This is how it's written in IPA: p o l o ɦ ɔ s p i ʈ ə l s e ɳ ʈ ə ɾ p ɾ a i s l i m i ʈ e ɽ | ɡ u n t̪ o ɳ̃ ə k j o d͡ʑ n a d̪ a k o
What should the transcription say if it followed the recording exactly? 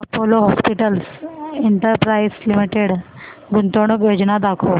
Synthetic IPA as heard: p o l o ɦ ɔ s p i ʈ ə l s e ɳ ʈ ə ɾ p ɾ a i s l i m i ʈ e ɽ | ɡ u n t̪ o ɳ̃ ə k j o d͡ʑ n a d̪ a kʰ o